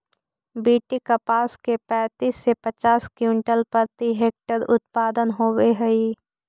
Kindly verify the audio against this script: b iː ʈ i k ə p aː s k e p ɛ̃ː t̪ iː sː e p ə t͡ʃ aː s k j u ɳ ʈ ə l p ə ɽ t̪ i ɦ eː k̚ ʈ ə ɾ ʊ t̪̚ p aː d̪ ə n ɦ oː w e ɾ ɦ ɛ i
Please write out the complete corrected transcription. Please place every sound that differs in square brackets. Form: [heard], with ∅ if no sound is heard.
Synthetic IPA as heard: b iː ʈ i k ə p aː s k e p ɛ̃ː t̪ iː sː e p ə t͡ʃ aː s k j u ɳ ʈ ə l p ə [ɾ] t̪ i ɦ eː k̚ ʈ ə ɾ ʊ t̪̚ p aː d̪ ə n ɦ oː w e [∅] ɦ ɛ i